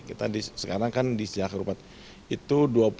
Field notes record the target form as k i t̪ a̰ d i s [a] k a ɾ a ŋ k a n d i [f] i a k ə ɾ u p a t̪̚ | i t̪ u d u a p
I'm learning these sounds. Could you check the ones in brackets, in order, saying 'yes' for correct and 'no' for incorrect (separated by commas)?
no, no